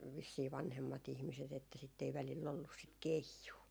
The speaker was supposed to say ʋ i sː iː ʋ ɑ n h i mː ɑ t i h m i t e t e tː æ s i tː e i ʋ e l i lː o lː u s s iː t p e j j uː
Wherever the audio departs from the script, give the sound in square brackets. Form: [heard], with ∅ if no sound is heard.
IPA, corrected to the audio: ʋ i sː iː ʋ ɑ n h [e] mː ɑ t i h m i [s] e t e tː æ s i tː e i ʋ [æ] l i lː o lː u s s [i] t [k] e [i] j uː